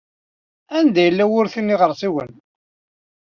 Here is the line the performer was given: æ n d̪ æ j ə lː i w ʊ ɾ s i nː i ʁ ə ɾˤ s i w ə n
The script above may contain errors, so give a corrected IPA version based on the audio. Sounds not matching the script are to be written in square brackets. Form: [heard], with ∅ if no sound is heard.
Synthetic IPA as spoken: æ n d̪ æ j ə lː [æ] w ʊ ɾ [θ] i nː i ʁ ə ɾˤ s i w ə n